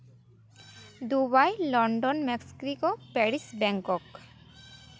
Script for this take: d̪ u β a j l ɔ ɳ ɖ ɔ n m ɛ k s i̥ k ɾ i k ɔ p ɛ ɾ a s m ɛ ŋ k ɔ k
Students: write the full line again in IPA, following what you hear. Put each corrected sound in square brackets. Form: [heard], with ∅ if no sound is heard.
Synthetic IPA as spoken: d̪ u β a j l ɔ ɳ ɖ ɔ n m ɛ k s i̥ k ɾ i k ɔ p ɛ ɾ [i] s [b] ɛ ŋ k ɔ k